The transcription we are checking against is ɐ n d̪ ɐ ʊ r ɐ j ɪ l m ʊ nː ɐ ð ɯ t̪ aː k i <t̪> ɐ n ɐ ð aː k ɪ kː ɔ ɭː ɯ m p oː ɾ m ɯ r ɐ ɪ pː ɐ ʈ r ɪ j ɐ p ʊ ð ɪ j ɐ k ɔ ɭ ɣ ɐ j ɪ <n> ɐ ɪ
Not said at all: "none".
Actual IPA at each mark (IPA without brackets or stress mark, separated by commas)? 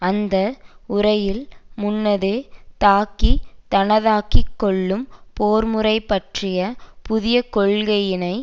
t̪, n